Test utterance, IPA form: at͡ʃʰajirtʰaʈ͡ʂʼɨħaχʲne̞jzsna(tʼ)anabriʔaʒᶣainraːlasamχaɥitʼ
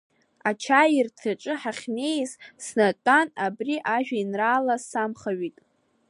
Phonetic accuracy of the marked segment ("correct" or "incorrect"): correct